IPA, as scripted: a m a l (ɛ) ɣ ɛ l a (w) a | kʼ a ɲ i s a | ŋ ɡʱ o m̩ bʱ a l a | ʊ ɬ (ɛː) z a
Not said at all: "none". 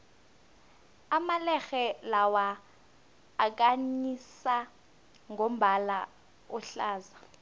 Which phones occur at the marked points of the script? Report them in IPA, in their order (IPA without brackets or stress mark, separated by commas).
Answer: ɛ, w, aː